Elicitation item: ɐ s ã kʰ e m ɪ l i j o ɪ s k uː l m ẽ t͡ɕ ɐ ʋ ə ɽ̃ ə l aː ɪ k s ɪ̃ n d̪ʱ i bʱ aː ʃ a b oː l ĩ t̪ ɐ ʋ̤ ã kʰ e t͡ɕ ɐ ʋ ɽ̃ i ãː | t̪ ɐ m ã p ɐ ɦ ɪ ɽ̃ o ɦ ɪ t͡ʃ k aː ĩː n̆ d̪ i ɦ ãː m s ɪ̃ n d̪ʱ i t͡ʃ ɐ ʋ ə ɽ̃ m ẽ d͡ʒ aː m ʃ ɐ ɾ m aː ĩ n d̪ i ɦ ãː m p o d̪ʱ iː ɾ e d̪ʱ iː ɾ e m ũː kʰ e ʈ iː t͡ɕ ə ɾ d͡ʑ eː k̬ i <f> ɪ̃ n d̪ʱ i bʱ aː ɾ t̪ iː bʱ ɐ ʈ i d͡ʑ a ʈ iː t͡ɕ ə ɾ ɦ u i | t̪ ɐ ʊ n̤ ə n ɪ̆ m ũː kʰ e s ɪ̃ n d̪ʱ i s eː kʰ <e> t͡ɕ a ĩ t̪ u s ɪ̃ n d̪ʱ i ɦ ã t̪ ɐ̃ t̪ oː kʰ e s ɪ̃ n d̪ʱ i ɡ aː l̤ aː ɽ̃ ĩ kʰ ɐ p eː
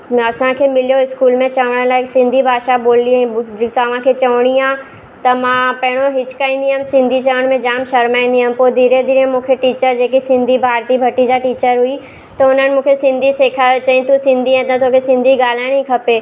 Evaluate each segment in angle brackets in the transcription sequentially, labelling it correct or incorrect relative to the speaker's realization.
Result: incorrect: s, incorrect: a

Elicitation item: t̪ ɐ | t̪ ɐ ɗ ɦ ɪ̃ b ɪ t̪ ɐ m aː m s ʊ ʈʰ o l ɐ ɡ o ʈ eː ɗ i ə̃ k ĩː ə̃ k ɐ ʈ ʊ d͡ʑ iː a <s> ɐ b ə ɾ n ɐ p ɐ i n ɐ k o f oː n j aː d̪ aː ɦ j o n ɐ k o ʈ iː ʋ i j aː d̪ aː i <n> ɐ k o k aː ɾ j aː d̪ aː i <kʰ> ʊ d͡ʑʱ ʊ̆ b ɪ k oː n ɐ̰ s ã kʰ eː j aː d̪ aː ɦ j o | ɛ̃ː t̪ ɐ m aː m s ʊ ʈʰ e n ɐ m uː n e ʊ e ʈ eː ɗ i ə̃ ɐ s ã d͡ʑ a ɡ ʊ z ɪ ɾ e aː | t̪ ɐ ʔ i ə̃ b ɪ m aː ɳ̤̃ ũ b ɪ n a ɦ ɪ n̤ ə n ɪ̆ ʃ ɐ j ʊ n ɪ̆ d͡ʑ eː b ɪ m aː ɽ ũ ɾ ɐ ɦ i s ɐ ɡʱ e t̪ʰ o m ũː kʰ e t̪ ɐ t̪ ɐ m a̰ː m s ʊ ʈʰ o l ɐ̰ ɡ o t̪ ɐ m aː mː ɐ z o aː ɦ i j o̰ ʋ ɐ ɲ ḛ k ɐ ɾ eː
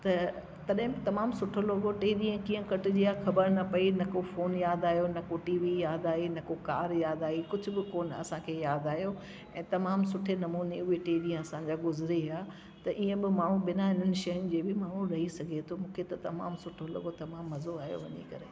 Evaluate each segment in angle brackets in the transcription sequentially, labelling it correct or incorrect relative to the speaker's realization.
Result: incorrect: x, correct, incorrect: k

